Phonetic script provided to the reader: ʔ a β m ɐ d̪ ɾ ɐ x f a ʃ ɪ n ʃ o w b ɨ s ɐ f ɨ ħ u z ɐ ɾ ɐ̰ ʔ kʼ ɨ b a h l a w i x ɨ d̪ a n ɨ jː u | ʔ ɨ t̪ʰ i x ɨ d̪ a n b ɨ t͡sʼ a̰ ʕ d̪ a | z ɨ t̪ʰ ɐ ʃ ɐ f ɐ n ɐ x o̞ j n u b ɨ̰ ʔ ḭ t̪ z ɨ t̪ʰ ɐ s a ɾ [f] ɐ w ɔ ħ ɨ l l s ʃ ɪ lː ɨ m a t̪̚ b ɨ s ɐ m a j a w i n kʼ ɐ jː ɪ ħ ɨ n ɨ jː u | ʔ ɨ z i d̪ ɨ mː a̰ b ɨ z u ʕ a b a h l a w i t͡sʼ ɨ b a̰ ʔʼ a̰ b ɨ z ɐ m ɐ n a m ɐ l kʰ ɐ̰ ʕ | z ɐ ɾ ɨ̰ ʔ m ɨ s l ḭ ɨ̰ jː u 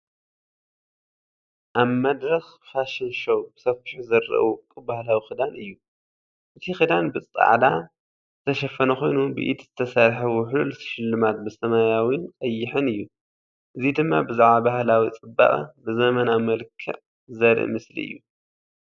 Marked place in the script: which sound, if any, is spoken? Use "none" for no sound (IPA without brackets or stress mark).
ħ